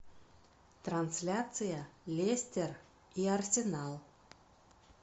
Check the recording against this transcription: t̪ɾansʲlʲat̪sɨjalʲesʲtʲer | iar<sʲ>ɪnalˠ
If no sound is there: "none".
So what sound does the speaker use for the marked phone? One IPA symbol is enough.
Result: sʲ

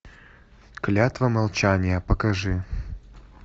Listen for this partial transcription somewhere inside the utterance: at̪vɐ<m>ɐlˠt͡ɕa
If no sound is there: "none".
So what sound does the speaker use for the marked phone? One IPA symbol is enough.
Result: m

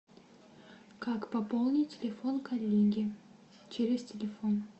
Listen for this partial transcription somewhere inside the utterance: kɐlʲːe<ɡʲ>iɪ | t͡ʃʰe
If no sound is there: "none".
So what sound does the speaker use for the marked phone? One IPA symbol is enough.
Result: ɡʲ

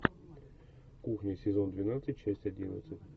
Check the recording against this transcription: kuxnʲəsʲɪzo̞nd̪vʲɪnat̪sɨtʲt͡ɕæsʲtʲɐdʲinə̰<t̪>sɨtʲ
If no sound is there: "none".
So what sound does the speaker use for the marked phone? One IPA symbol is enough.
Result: t̪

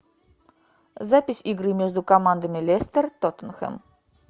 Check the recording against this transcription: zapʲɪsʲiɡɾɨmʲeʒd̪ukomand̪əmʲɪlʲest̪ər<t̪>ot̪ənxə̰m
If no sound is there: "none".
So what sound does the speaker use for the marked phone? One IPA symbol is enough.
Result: t̪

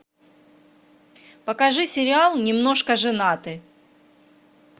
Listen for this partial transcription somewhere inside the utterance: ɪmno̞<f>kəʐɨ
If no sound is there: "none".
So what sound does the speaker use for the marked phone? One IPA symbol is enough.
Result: ʂ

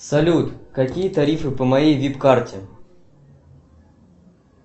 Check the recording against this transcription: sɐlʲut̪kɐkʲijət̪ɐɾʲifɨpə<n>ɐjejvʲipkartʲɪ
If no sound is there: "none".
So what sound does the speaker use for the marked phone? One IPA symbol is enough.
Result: m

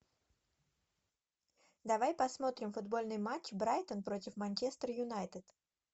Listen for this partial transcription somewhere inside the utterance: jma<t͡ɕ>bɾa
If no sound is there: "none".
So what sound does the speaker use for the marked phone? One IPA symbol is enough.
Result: t͡ɕ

